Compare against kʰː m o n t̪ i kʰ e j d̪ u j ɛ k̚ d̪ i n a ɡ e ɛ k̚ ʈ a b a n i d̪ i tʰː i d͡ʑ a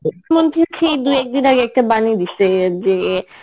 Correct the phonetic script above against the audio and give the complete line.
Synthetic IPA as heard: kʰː m o n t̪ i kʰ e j d̪ u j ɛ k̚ d̪ i n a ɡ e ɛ k̚ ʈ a b a n i d̪ i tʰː e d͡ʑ e